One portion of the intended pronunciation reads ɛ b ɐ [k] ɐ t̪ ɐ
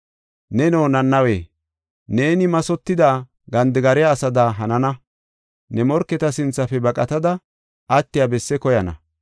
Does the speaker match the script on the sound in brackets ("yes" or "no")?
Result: no